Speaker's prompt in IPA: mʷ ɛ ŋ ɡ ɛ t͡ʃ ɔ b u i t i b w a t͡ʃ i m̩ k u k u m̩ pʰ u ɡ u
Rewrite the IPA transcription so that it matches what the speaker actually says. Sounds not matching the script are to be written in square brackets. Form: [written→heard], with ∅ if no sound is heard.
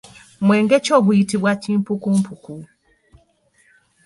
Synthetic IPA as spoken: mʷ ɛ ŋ ɡ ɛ t͡ʃ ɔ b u i t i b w a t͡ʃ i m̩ [k→p] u k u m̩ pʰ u [ɡ→k] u